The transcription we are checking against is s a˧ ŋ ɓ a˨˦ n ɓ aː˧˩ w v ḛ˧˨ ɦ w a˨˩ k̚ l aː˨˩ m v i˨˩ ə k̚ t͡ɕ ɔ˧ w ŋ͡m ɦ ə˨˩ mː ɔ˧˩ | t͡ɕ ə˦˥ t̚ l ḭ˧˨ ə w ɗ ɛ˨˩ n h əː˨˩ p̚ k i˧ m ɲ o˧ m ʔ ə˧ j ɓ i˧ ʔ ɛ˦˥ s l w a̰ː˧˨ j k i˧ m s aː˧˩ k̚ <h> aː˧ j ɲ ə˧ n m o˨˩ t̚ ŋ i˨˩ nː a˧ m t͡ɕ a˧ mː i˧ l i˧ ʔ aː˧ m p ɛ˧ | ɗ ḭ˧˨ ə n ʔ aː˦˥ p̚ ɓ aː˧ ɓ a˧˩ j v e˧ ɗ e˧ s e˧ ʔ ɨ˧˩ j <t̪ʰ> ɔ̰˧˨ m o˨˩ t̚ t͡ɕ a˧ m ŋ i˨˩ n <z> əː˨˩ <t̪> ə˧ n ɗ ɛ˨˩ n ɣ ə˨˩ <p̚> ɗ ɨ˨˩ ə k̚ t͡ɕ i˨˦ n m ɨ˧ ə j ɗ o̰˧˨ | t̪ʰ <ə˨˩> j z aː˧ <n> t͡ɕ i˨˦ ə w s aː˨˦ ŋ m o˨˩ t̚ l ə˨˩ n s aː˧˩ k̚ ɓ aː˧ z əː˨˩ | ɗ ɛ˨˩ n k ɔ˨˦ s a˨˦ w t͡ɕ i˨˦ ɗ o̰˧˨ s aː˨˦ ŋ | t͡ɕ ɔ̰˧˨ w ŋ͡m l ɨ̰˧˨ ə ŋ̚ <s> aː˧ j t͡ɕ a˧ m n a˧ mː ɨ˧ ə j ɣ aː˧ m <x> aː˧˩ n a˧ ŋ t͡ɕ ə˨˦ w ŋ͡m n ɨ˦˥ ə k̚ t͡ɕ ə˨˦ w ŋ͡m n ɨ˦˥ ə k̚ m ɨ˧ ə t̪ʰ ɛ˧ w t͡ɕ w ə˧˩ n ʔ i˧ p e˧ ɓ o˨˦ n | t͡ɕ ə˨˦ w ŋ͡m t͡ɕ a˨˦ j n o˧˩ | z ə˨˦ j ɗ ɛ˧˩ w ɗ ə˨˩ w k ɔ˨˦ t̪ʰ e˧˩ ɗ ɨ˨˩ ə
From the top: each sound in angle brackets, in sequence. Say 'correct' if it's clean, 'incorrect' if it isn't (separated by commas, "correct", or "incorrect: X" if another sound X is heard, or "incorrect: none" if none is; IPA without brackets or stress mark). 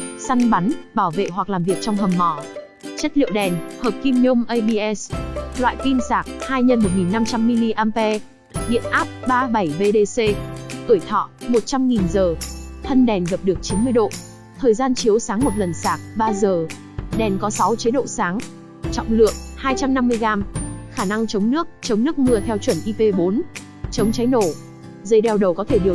correct, correct, correct, incorrect: t̪ʰ, correct, incorrect: əː˨˩, correct, incorrect: h, correct